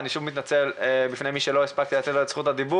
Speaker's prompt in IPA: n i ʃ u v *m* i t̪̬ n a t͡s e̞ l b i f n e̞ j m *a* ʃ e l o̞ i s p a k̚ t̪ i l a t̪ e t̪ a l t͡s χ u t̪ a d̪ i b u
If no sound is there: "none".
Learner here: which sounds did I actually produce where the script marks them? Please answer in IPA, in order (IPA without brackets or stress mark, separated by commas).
m, i